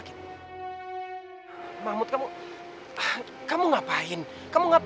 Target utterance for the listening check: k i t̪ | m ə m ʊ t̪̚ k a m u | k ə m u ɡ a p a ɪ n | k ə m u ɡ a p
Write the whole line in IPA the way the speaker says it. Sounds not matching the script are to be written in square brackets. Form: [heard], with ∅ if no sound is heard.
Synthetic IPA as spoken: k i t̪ | m [a] m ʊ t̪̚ k a m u | k [a] m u [ŋ] a p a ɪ n | k [a] m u [ŋ] a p

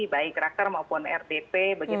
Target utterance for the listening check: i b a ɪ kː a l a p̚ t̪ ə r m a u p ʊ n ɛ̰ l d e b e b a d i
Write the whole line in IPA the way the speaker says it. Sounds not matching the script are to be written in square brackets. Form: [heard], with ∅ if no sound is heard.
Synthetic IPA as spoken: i b a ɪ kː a [ɾ] a [k̚] t̪ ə r m a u p ʊ n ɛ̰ [r] d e [p] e b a [ɡ] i

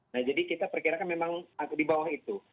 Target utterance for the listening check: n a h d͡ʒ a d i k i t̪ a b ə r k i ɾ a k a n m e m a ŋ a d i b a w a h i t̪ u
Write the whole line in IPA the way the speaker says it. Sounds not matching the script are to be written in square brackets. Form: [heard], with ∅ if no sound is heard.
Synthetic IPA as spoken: n a h d͡ʒ a d i k i t̪ a [p] ə r k i ɾ a k a n m e m a ŋ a d i b a w a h i t̪ u

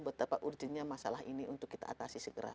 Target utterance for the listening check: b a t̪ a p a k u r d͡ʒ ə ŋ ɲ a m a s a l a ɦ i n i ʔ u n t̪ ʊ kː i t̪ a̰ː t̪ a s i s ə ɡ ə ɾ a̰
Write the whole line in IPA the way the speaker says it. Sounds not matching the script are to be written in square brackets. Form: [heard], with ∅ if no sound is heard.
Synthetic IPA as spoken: b [ə] t̪ a p a [ʔ] u r d͡ʒ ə [n] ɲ a m a s a l a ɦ i n i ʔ u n t̪ ʊ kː i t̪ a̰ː t̪ a s i s ə ɡ ə ɾ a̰

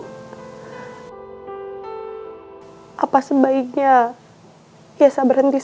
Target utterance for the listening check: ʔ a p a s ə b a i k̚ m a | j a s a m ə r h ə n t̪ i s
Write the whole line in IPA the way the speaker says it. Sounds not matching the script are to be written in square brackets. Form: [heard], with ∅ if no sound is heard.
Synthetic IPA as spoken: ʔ a p a s ə b a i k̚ [ɲ] a | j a s a [b] ə r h ə n t̪ i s

